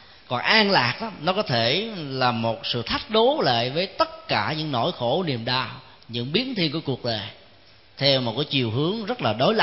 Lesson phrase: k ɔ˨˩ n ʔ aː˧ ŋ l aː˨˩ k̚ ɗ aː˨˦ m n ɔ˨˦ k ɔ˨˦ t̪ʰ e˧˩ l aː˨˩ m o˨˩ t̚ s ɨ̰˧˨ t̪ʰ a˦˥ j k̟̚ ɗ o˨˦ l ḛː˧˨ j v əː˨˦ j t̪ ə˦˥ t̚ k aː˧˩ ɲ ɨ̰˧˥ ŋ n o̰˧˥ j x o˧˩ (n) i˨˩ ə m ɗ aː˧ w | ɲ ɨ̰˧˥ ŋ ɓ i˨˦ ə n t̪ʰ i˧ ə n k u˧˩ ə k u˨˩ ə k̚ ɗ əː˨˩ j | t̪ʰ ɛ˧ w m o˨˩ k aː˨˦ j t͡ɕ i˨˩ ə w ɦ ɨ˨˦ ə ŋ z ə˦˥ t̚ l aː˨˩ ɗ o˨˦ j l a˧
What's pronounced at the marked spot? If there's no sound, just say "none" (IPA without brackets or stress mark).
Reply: n